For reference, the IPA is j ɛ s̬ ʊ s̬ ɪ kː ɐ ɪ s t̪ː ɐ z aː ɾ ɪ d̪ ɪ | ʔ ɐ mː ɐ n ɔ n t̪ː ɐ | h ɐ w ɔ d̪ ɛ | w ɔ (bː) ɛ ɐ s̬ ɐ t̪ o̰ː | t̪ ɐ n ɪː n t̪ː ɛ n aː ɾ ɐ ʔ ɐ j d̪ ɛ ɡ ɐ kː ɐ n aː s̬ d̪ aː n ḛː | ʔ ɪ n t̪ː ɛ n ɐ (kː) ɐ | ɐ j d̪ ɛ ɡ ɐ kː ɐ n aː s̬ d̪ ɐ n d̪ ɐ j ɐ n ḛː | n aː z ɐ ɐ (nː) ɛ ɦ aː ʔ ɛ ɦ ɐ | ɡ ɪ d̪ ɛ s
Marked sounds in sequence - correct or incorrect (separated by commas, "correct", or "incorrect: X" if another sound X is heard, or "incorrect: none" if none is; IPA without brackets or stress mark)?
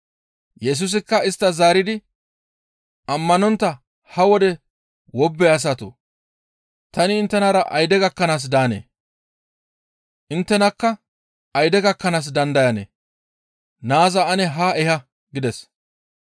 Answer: correct, correct, incorrect: n